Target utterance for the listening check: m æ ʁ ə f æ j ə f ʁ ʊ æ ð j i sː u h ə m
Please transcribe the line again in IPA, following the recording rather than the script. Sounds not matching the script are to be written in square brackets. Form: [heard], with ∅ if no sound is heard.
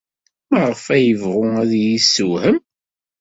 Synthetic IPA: m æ ʁ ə f æ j ə [v] ʁ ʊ æ ð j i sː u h ə m